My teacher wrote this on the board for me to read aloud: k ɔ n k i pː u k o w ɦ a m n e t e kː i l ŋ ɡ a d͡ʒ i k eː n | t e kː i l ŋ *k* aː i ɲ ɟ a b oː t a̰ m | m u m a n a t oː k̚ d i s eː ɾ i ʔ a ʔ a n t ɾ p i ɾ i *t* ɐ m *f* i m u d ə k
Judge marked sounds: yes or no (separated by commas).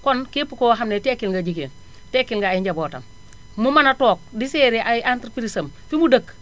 no, no, yes